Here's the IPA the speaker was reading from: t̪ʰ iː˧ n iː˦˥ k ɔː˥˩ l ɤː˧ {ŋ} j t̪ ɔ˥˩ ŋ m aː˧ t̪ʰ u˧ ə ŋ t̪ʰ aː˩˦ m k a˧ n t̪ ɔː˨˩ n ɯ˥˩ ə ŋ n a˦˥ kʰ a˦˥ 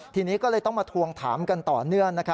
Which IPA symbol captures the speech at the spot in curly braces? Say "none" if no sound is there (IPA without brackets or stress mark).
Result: none